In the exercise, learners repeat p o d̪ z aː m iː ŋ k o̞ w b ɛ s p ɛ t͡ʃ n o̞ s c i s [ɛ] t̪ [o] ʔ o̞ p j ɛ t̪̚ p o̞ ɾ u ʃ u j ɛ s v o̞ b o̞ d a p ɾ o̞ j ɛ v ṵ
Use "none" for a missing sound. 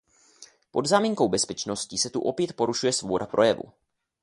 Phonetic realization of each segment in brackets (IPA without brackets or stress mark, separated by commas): ɛ, u